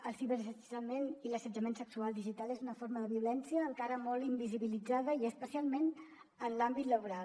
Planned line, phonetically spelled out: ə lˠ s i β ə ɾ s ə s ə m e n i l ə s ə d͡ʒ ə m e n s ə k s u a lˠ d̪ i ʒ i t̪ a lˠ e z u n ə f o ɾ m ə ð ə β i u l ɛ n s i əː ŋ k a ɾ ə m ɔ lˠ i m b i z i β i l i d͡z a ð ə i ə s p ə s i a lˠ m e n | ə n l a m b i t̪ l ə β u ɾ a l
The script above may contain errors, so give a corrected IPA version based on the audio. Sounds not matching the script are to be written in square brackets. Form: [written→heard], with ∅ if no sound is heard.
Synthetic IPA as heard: ə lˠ s i β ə ɾ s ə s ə m e n i l ə s ə d͡ʒ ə m e n s ə k s u a lˠ d̪ i ʒ i t̪ a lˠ e z u n ə f o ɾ m ə ð ə β i u l ɛ n s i əː ŋ k a ɾ ə m ɔ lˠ i m b i z i β i l i d͡z a ð ə i ə s p ə s i a lˠ m e n | ə n l a m b i t̪ l ə β u ɾ a l

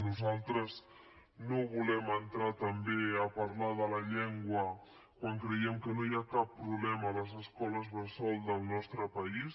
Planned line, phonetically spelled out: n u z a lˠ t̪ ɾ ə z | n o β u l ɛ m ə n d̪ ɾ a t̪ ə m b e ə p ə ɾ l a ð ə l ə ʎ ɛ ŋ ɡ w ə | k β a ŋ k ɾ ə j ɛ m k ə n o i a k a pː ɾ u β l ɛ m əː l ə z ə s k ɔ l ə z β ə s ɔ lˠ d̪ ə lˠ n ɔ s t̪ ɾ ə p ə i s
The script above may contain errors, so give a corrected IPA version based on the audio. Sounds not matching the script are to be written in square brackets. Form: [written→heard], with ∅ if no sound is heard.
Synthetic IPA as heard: n u z a lˠ t̪ ɾ ə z | n o β u l ɛ m ə n [d̪→t̪] ɾ a t̪ ə m b e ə p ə ɾ l a ð ə l ə ʎ ɛ ŋ ɡ w ə | k [β→w] a ŋ k ɾ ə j ɛ m k ə n o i a k a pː ɾ u β l ɛ m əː l ə z ə s k ɔ l ə z β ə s ɔ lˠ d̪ ə lˠ n ɔ s t̪ ɾ ə p ə i s

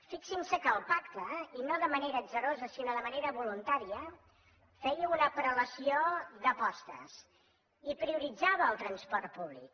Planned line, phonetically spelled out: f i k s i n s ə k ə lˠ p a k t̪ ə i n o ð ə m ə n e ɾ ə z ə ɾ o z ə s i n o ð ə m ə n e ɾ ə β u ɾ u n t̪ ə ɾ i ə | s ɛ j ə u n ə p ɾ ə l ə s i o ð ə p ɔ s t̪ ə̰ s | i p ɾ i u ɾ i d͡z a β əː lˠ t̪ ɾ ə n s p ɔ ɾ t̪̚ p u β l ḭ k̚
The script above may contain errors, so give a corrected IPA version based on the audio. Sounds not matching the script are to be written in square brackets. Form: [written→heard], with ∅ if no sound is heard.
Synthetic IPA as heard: f i k s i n s ə k ə lˠ p a k t̪ ə i n o ð ə m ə n e ɾ ə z ə ɾ o z ə s i n o ð ə m ə n e ɾ ə β u [ɾ→l] u n t̪ [ə→a] ɾ i ə | [s→f] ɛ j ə u n ə p ɾ ə l ə s i o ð ə p ɔ s t̪ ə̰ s | i p ɾ i u ɾ i d͡z a β əː lˠ t̪ ɾ ə n s p ɔ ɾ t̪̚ p u β l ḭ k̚

